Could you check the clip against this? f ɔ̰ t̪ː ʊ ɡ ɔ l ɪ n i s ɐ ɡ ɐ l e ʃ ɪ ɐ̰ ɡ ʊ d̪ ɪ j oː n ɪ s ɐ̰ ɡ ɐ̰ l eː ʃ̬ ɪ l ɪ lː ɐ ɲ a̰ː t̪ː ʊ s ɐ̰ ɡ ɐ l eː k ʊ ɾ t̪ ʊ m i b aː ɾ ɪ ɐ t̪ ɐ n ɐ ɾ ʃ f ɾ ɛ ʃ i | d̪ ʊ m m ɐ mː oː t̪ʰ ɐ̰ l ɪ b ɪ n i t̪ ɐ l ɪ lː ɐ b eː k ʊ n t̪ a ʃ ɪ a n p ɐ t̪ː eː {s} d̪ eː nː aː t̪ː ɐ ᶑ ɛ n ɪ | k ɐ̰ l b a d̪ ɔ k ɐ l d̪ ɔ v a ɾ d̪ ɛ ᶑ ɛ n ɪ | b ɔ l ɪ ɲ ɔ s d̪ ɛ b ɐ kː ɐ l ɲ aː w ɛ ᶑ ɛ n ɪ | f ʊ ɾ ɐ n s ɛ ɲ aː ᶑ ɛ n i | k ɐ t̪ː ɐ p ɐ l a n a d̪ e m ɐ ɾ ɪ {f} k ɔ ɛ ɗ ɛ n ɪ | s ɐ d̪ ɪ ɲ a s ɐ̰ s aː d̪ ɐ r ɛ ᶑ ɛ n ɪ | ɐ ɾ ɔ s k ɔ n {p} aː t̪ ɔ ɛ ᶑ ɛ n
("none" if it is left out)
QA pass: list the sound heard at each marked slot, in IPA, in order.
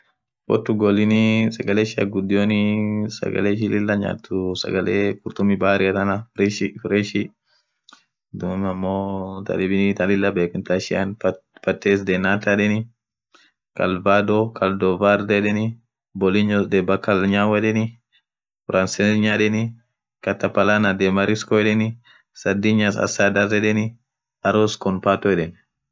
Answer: s, s, p

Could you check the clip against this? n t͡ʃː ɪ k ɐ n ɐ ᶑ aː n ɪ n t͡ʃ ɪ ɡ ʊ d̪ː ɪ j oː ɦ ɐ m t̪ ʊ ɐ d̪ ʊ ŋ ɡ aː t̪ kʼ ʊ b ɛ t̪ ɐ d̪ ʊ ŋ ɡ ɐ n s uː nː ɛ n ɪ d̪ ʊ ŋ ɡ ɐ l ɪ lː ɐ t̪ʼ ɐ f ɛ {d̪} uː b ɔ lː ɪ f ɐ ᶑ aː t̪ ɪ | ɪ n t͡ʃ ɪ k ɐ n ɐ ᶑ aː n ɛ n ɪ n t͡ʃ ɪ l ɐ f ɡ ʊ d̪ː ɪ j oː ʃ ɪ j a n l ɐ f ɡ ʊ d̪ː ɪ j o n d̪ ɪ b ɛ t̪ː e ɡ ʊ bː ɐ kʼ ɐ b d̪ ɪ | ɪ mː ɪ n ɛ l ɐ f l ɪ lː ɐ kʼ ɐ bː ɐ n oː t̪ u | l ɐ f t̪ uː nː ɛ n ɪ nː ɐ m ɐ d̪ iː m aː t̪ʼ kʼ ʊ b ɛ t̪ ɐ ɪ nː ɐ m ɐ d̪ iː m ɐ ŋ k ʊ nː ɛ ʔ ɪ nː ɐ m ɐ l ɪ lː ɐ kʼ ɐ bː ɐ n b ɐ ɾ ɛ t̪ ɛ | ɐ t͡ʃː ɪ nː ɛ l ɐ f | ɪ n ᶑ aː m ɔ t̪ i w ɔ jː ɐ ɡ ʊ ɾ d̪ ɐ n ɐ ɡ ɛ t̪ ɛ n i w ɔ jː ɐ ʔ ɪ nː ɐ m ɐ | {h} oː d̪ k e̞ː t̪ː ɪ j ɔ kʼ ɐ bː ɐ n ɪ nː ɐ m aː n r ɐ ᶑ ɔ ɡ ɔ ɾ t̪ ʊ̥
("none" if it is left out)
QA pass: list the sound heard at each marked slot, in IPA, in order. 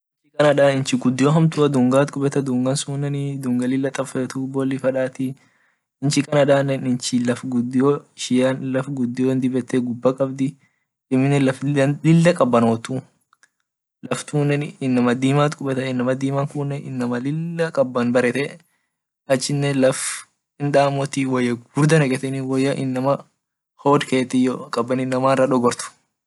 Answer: t̪, h

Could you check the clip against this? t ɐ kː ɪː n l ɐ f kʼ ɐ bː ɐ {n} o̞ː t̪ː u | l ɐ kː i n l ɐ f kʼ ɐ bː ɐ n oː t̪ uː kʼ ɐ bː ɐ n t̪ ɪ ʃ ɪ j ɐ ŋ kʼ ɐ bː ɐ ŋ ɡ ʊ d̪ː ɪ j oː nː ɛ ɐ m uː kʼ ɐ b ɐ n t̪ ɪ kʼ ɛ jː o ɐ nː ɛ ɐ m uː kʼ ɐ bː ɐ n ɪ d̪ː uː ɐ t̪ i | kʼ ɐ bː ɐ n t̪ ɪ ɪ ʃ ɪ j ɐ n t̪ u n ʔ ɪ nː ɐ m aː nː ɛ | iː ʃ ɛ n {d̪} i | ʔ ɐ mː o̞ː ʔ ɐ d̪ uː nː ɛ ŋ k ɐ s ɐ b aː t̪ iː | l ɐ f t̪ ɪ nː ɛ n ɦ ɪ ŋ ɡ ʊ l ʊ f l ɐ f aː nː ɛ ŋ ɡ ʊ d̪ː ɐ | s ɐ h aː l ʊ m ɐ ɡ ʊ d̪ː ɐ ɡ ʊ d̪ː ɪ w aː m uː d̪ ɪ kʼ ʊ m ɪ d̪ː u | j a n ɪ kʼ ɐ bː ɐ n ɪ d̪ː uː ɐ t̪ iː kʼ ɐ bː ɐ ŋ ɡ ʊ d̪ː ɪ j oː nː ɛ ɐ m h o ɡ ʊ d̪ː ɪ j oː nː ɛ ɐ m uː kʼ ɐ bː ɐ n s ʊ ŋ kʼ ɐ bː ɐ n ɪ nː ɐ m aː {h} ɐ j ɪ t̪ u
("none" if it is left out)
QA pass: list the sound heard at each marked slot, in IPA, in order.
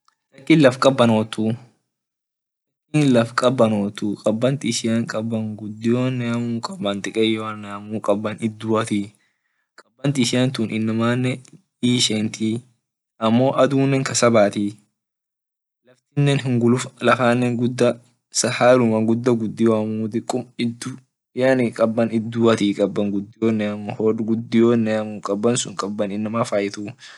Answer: n, t̪, f

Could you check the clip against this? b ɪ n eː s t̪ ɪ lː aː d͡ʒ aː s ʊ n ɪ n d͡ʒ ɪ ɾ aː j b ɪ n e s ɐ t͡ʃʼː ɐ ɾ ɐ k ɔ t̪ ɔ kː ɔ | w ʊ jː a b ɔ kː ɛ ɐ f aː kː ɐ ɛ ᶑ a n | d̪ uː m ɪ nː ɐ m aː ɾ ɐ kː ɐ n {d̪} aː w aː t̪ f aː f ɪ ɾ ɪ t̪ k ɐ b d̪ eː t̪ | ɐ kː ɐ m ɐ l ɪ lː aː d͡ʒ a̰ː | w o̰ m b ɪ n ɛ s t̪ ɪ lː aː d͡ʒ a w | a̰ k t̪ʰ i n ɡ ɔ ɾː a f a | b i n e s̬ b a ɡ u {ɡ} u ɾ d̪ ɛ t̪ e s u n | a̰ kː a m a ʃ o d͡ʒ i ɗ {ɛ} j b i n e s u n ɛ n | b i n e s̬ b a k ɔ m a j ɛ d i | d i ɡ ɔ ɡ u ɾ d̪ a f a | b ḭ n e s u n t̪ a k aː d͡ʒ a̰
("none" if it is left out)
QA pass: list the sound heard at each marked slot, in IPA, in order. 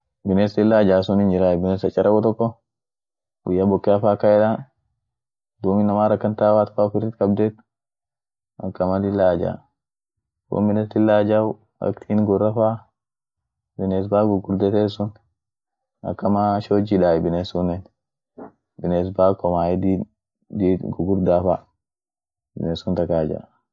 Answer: t̪, ɡ, a

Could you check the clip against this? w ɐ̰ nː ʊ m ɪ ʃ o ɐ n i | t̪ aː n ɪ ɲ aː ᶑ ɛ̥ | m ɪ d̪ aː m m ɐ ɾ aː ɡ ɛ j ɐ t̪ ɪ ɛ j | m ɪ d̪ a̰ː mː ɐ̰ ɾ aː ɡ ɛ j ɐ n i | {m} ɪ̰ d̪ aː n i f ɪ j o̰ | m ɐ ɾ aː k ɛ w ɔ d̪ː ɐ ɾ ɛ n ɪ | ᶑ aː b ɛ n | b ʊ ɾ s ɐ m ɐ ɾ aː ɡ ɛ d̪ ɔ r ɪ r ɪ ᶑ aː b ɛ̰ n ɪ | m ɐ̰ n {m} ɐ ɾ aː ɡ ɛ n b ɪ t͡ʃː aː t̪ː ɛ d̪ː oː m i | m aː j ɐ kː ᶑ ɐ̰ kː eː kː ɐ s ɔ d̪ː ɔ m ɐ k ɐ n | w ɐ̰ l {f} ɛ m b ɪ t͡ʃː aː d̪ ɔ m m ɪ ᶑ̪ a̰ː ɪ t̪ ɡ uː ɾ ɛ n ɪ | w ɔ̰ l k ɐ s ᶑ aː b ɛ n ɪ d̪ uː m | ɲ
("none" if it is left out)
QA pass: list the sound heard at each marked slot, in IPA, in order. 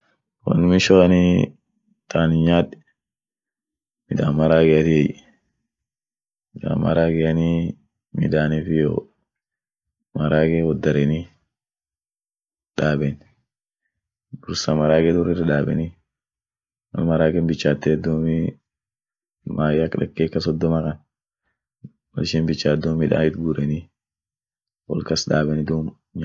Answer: m, m, ʃ

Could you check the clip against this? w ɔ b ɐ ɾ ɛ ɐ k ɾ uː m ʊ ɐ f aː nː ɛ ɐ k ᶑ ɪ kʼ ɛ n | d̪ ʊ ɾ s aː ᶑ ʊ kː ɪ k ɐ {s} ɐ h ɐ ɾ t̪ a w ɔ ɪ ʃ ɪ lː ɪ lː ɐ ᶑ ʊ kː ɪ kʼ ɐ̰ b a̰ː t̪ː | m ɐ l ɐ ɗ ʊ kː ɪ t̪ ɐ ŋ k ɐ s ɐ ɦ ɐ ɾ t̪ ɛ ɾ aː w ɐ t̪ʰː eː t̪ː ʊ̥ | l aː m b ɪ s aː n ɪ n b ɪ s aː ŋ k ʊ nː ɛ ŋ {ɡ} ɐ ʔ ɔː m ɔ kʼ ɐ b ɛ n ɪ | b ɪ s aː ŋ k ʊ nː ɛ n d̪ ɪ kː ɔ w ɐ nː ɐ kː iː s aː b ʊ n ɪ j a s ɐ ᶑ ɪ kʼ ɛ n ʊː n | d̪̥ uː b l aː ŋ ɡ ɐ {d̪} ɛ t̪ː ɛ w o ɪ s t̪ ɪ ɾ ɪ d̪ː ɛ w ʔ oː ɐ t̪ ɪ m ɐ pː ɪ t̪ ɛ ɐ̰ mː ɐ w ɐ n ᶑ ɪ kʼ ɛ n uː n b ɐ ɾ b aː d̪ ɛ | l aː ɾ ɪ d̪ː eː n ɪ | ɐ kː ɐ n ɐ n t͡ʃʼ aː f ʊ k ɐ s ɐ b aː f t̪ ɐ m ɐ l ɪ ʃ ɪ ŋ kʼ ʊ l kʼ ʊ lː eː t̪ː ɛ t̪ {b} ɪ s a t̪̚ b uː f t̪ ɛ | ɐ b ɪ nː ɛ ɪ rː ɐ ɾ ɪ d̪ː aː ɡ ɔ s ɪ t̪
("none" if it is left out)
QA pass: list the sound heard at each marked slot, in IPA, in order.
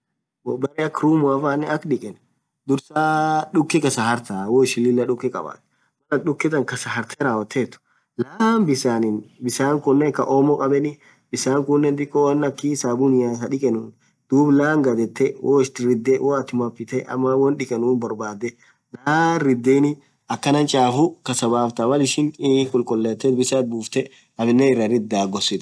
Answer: s, k, d̪, b

